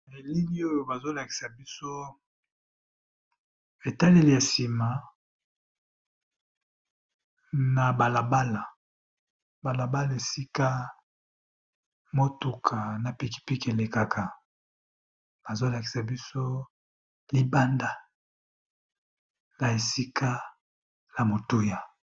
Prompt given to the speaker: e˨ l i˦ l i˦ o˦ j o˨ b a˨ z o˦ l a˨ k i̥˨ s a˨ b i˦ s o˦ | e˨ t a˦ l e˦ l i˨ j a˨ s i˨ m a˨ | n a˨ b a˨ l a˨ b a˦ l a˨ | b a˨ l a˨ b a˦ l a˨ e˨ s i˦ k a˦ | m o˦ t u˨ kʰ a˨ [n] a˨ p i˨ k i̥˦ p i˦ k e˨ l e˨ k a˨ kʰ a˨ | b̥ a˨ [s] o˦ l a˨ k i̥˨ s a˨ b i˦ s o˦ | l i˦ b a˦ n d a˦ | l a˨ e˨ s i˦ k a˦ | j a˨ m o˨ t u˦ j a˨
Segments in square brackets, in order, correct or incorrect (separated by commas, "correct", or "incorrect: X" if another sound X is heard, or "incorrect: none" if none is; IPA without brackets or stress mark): correct, incorrect: z